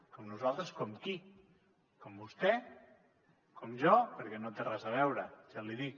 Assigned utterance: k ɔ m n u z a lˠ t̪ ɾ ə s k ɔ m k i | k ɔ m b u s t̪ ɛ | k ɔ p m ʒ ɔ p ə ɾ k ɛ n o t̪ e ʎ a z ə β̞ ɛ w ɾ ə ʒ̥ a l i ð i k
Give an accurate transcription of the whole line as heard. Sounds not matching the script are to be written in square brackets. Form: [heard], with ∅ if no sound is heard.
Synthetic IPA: k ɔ m n u z a lˠ t̪ ɾ ə s k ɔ m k i | k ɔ m b u s t̪ ɛ | k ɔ [∅] m ʒ ɔ p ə ɾ k ɛ n o t̪ e [r] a z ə β̞ ɛ w ɾ ə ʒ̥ a l i ð i k